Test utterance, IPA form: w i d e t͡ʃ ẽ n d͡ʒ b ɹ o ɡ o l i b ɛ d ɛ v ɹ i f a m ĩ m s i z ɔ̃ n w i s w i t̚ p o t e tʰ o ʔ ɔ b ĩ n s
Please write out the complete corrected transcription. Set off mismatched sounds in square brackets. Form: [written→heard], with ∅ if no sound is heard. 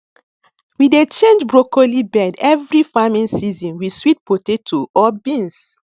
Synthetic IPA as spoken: w i d e t͡ʃ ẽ n d͡ʒ b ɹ o [ɡ→k] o l i b ɛ d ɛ v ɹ i f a m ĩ [m→n] s i z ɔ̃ n w i s w i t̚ p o t e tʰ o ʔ ɔ b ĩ n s